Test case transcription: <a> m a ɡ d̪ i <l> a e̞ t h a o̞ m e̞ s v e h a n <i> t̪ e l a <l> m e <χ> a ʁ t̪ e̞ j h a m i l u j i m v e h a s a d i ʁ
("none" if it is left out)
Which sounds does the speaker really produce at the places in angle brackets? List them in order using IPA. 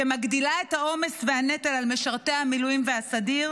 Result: e, l, e, l, ʃ

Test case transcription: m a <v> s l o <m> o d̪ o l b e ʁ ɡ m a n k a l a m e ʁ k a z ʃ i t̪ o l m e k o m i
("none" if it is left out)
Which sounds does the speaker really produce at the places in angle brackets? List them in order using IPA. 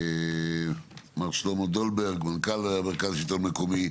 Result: ʁ, m

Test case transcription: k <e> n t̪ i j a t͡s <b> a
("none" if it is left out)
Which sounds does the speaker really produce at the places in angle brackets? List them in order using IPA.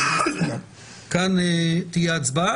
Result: a, b

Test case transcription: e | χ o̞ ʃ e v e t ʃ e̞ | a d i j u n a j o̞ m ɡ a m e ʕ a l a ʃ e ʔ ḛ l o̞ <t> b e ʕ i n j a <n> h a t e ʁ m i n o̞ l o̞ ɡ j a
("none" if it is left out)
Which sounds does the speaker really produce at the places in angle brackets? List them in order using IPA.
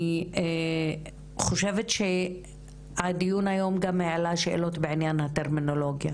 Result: t, n

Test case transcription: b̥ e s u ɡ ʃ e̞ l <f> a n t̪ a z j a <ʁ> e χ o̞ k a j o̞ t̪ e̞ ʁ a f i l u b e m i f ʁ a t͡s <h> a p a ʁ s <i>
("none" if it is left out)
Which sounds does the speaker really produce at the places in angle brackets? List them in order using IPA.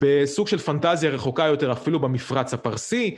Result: f, ʁ, h, i

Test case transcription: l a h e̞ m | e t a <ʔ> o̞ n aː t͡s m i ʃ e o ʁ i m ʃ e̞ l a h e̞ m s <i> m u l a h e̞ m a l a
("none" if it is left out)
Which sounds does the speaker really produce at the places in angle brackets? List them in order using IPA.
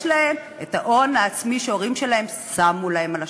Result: ʔ, a

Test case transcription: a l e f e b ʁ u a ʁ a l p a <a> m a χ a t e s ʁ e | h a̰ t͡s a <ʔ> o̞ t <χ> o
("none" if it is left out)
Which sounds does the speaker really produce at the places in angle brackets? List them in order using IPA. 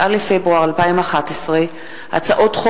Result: i, ʔ, χ

